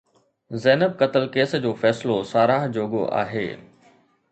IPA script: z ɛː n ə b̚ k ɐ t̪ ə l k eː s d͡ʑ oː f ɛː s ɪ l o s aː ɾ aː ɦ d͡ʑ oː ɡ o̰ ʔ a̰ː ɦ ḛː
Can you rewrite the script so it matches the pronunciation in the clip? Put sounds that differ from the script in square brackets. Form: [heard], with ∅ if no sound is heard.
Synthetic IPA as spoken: z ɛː n ə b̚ k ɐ t̪ ə l k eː s d͡ʑ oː f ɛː s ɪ l o s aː ɾ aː ɦ d͡ʑ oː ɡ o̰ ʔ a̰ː ɦ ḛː